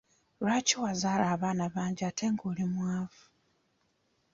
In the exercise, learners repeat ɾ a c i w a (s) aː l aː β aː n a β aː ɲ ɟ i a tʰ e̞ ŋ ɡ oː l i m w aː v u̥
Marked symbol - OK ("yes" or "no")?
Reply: no